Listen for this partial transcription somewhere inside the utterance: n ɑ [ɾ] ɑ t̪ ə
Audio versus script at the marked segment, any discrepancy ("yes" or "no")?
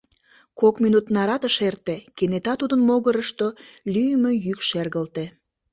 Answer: no